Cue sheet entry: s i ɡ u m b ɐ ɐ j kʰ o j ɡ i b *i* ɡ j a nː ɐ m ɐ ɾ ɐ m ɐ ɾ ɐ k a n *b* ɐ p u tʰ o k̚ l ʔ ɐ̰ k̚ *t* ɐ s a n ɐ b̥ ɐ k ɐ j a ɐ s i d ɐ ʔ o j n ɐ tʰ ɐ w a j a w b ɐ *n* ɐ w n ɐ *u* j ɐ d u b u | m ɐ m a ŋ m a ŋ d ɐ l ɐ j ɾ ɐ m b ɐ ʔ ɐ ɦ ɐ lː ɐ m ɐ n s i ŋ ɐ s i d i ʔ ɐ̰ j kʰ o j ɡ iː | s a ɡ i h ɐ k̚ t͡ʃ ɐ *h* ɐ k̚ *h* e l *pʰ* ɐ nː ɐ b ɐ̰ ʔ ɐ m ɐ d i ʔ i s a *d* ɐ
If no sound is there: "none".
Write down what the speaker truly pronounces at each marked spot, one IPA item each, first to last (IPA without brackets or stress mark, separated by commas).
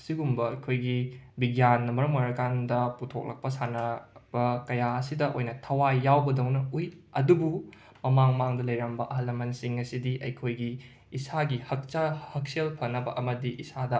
i, d, p, d, u, h, s, pʰ, d